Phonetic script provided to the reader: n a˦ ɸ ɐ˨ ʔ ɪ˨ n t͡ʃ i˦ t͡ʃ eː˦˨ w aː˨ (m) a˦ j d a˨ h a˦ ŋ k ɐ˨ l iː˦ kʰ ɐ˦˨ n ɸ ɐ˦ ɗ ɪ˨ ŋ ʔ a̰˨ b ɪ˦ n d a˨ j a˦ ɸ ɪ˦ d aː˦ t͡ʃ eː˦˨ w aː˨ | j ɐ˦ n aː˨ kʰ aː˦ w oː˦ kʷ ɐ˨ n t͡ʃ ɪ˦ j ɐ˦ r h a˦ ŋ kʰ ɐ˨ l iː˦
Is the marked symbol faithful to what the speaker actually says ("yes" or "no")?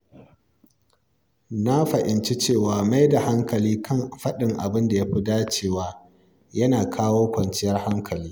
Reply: yes